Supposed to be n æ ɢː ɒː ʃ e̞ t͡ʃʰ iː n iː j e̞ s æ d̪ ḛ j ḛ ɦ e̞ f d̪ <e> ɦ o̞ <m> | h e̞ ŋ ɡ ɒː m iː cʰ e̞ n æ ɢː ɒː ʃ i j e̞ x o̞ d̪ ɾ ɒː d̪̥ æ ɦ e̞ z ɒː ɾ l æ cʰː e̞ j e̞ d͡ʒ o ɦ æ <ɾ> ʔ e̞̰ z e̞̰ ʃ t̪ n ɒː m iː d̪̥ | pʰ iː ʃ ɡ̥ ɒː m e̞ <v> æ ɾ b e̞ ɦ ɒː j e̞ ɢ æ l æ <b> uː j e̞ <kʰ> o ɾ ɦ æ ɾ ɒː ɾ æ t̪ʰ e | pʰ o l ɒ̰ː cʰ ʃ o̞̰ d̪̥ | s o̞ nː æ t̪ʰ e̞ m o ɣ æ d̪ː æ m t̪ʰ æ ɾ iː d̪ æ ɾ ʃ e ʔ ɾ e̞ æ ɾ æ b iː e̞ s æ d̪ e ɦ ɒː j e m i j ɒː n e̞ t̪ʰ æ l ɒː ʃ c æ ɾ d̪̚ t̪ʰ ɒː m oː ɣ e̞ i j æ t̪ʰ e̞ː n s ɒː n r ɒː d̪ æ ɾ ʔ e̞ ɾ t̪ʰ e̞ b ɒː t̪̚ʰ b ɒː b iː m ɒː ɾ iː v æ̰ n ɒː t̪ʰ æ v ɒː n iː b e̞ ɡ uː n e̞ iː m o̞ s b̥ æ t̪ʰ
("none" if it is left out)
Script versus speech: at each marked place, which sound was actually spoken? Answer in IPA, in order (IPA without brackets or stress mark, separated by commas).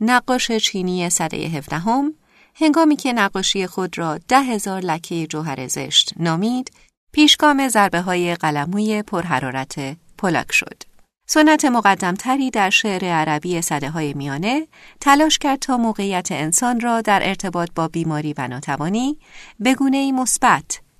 æ, m, ɾ, z, m, pʰ